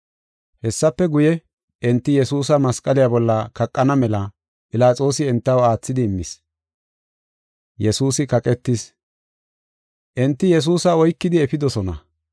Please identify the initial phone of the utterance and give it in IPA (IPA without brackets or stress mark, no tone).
h